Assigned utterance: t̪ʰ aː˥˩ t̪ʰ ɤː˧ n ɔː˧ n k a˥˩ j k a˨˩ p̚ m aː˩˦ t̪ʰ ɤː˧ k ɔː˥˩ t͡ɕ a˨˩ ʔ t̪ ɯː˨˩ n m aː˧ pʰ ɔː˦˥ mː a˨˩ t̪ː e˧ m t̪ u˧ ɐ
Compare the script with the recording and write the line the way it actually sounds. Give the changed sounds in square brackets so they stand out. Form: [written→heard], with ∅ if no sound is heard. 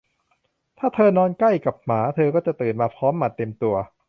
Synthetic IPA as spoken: t̪ʰ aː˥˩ t̪ʰ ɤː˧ n ɔː˧ n k a˥˩ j k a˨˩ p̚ m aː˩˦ t̪ʰ ɤː˧ k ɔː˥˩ t͡ɕ a˨˩ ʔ t̪ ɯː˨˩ n m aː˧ pʰ ɔː˦˥ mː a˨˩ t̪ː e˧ m t̪ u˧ ɐ